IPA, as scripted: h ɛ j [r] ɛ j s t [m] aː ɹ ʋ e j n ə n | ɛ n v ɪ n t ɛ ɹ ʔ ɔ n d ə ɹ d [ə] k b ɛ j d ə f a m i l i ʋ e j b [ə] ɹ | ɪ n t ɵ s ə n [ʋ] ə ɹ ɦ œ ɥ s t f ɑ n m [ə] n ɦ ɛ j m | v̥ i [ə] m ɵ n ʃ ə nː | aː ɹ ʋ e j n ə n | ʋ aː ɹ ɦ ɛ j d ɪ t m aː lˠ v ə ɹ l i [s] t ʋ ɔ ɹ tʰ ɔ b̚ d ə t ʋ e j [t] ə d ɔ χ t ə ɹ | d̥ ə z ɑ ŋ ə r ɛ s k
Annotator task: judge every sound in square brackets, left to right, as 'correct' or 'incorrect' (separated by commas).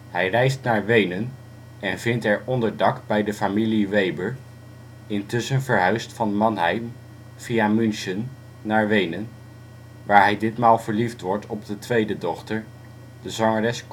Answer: correct, incorrect, incorrect, correct, incorrect, incorrect, incorrect, incorrect, incorrect